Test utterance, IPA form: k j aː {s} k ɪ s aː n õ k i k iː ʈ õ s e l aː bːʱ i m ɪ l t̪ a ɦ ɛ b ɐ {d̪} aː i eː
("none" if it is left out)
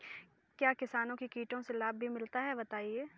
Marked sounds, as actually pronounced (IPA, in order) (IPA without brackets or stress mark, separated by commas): none, t̪